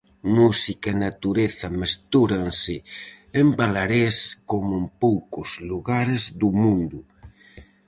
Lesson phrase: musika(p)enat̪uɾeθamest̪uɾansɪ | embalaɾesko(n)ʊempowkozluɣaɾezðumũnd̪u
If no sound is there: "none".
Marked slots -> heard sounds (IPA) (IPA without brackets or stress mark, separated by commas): none, m